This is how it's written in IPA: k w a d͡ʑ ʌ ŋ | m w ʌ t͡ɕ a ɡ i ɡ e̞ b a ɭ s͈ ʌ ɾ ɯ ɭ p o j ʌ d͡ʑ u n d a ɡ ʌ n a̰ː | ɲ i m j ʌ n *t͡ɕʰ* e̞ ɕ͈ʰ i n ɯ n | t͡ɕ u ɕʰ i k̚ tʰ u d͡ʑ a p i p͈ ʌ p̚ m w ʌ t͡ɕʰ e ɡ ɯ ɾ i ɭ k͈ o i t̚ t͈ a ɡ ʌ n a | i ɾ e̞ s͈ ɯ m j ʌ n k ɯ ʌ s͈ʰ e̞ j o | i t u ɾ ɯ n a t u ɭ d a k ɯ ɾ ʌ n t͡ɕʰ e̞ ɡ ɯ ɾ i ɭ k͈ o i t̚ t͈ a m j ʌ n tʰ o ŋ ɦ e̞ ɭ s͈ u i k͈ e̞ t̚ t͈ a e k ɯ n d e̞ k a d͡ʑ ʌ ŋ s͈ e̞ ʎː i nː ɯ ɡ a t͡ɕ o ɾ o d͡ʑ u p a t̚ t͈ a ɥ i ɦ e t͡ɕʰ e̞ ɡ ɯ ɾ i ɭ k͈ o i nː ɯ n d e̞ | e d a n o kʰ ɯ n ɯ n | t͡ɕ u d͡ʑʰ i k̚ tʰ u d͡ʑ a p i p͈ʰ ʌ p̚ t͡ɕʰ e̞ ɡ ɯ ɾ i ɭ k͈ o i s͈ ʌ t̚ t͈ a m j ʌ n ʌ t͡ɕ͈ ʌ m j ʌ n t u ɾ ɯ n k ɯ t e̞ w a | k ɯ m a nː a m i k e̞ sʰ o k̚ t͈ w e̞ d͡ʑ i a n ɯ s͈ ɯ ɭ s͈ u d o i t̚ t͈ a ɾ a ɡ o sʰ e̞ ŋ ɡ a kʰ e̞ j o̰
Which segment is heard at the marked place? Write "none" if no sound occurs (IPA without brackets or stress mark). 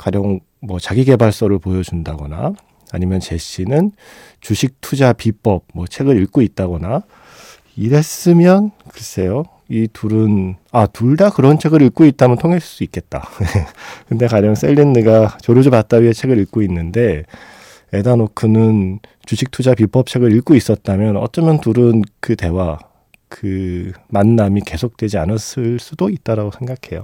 t͡ɕ